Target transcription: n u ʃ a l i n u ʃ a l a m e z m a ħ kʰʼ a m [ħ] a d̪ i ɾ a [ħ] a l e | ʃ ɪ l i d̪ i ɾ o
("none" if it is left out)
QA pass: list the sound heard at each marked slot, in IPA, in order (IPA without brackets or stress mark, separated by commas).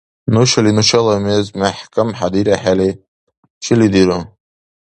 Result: ħ, ħ